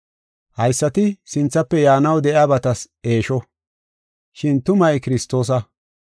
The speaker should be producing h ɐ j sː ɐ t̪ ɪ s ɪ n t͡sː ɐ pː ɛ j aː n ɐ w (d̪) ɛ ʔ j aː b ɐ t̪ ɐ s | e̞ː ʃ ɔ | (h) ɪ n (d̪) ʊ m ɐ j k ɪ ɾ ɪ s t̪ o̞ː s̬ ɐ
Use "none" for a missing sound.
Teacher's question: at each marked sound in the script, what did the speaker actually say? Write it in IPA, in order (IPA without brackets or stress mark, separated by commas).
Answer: d̪, ʃ, t̪